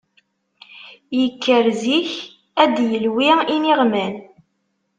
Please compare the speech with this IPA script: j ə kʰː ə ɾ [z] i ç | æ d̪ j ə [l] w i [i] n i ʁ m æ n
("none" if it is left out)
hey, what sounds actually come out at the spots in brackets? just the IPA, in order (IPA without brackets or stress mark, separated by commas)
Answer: z, l, i